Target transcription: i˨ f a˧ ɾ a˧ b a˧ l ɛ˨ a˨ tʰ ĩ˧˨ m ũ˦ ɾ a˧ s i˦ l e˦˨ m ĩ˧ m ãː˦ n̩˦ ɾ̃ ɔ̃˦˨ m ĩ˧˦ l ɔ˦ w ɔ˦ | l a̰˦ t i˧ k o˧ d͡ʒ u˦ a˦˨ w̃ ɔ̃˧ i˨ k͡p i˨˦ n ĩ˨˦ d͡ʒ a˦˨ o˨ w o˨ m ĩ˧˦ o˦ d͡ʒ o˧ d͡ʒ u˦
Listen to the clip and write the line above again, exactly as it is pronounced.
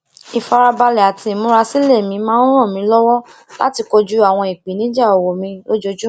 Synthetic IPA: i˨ f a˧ ɾ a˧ b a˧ l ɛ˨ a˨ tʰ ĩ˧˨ m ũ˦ ɾ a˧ s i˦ l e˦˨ m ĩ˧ m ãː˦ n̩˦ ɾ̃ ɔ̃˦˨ m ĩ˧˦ l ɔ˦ w ɔ˦ | l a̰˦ t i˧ k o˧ d͡ʒ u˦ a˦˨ w̃ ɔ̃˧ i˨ k͡p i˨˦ n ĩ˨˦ d͡ʒ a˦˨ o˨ w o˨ m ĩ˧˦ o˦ d͡ʒ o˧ d͡ʒ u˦